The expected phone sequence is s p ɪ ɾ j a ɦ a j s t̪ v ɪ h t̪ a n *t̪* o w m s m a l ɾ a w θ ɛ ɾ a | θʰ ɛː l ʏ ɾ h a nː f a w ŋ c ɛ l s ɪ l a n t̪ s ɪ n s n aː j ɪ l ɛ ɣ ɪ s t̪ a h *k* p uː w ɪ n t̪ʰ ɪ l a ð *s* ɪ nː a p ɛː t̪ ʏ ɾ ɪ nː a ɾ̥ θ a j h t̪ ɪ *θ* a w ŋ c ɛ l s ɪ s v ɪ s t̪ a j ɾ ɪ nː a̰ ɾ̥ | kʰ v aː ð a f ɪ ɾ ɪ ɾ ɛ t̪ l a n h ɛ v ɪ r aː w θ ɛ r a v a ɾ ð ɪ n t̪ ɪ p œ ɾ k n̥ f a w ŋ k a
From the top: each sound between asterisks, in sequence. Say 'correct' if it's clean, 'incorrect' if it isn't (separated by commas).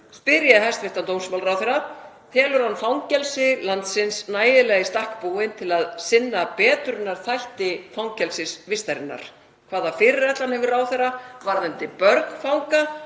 correct, correct, correct, incorrect